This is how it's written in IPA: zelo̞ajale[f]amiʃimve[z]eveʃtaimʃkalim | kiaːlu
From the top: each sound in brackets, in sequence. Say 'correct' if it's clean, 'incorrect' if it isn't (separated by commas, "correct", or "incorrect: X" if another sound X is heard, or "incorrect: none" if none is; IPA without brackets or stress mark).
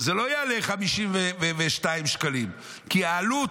incorrect: χ, incorrect: v